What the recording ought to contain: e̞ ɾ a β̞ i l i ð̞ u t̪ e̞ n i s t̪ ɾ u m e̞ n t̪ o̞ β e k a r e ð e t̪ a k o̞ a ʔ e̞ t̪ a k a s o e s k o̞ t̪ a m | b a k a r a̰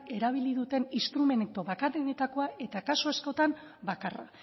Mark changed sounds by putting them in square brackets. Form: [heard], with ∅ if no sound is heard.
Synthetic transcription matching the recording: e̞ ɾ a β̞ i l i ð̞ u t̪ e̞ n i s t̪ ɾ u m e̞ n t̪ o̞ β [a] k a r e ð e t̪ a k o̞ a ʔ e̞ t̪ a k a s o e s k o̞ t̪ a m | b a k a r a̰